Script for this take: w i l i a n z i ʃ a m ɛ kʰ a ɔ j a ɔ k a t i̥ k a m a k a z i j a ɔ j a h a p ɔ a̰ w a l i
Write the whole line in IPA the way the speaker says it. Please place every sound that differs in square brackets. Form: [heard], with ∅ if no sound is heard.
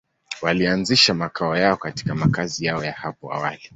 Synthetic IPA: w [a] l i a n z i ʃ a m [a] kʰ a ɔ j a ɔ k a t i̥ k a m a k a z i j a ɔ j a h a p ɔ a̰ w a l i